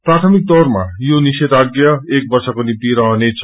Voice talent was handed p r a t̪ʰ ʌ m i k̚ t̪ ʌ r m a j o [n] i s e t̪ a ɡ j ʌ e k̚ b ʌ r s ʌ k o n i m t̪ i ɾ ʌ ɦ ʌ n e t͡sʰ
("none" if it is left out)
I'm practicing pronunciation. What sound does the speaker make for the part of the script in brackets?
n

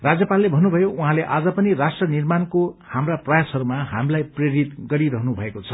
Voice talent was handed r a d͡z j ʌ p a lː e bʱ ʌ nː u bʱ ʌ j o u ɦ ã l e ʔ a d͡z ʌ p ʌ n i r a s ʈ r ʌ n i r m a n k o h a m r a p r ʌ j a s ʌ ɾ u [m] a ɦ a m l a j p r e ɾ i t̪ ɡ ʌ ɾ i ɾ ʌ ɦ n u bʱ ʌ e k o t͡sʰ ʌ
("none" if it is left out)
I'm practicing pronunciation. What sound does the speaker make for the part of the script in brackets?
m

